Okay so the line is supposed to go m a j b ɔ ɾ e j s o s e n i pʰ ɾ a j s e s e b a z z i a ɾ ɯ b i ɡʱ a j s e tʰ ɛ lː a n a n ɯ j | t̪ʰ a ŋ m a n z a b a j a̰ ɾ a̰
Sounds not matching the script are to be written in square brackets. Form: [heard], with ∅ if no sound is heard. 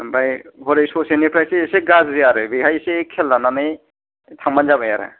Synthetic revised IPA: [b] a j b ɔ ɾ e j s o s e n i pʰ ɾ a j s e s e [ɡ] a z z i a ɾ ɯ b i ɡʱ a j s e [kʰ] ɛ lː a n a n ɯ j | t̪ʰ a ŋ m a n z a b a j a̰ ɾ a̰

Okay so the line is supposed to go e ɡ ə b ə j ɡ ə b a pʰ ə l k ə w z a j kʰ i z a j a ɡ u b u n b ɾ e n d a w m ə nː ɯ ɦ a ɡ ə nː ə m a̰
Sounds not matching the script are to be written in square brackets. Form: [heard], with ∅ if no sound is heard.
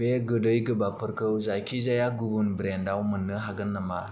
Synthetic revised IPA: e ɡ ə [d] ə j ɡ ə b a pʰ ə [ɾ] k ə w z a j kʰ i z a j a ɡ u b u n b ɾ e n d a w m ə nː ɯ ɦ a ɡ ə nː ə m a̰

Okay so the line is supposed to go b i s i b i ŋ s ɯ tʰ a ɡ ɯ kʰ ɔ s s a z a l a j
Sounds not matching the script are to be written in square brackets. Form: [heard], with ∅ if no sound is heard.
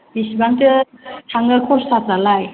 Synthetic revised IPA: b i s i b [a] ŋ [t] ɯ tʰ a [ŋ] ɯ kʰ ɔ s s a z a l a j

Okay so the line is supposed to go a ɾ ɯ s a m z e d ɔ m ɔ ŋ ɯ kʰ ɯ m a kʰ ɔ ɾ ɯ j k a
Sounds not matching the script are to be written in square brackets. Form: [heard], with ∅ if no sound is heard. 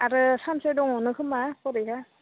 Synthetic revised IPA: a ɾ ɯ s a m [s] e d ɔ [ŋ] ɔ [n] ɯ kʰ ɯ m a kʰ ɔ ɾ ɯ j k a

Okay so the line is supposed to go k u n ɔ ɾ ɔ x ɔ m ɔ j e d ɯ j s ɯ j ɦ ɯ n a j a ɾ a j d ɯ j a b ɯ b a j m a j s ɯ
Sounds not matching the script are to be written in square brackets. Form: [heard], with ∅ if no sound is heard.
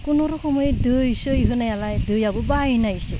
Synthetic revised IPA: k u n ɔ ɾ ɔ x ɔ m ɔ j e d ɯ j s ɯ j ɦ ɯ n a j a [l] a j d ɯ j a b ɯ b a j [n] a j s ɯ

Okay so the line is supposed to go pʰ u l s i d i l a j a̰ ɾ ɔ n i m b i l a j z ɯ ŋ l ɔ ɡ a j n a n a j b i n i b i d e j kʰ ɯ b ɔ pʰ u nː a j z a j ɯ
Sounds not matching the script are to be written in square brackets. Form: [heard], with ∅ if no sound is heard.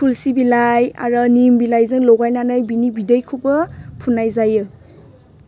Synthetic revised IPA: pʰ u l s i [b] i l a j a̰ ɾ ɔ n i m b i l a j z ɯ ŋ l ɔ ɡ a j n a n a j b i n i b i d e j kʰ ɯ b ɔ pʰ u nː a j z a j ɯ

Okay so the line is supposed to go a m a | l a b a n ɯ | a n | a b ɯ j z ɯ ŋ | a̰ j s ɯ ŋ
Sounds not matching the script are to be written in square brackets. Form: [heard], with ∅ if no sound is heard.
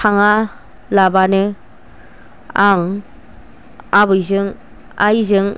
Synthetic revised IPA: a [ŋ] a | l a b a n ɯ | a [ŋ] | a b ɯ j z ɯ ŋ | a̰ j [z] ɯ ŋ

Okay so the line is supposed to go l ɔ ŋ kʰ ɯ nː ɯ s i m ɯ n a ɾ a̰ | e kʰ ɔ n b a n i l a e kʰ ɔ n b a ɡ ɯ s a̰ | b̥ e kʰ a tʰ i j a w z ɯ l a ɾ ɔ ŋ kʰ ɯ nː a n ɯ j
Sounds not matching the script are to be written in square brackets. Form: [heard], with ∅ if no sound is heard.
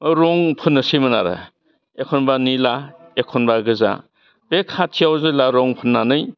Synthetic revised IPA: [ɾ] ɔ ŋ [pʰ] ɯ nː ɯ s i m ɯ n a ɾ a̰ | e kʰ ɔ n b a n i l a e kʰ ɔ n b a ɡ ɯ [z] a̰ | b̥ e kʰ a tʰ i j a w z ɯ l a ɾ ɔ ŋ [pʰ] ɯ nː a n ɯ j

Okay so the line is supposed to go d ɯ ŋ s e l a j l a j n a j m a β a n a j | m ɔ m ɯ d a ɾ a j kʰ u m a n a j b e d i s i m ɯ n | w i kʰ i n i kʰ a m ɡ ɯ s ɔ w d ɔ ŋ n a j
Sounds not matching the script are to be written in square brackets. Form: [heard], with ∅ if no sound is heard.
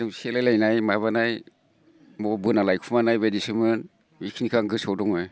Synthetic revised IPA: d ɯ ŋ s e l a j l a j n a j m a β a n a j | m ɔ [b] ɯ [n] a [l] a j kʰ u m a n a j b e d i s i m ɯ n | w i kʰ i n i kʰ a [ŋ] ɡ ɯ s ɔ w d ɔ ŋ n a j

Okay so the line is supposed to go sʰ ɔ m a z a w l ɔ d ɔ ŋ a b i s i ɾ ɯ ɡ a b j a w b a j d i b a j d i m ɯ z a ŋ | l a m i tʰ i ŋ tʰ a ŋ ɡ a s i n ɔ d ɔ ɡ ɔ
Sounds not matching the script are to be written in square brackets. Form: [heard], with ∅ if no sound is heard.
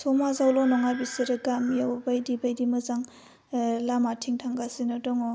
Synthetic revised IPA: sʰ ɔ m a z a w l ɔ [n] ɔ ŋ a b i s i ɾ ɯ ɡ a [m] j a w b a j d i b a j d i m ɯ z a ŋ | l a m [a] tʰ i ŋ tʰ a ŋ ɡ a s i n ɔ d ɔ [ŋ] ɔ

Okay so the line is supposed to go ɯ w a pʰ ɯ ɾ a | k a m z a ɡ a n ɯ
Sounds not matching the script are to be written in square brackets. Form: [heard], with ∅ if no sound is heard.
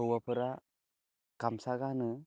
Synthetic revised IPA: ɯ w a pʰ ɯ ɾ a | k a m [s] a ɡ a n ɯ

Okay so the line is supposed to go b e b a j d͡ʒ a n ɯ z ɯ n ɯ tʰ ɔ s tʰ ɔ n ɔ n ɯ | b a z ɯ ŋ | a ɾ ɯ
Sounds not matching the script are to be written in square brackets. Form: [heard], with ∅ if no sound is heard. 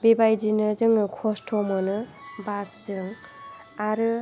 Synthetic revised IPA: b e b a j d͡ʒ [i] n ɯ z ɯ [ŋ] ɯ [kʰ] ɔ s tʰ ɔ [m] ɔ n ɯ | b a [s] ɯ ŋ | a ɾ ɯ

